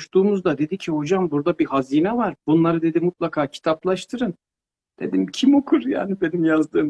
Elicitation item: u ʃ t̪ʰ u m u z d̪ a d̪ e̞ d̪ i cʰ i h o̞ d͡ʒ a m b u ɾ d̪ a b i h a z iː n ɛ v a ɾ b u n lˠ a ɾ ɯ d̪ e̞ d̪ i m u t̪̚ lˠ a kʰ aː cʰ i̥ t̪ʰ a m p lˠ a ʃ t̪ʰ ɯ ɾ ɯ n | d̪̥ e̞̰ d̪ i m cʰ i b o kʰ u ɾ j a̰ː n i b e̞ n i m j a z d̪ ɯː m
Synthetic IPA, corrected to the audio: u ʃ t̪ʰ uː m u z d̪ a d̪ e̞ d̪ i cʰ i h o̞ d͡ʒ a m b u ɾ d̪ a b i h a z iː n ɛ v a ɾ b u n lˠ a ɾ ɯ d̪ e̞ d̪ i m u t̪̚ lˠ a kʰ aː cʰ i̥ t̪ʰ a p lˠ a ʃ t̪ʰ ɯ ɾ ɯ n | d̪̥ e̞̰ d̪ i m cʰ i m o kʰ u ɾ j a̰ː n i b e̞ n i m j a z d̪ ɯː m